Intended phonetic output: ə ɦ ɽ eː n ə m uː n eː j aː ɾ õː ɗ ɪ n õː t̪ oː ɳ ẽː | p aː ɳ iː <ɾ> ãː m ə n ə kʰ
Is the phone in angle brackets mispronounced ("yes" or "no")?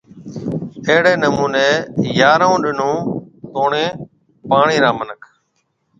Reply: no